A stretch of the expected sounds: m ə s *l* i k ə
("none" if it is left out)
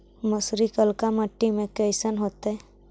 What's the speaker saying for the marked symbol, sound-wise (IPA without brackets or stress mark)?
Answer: ɾ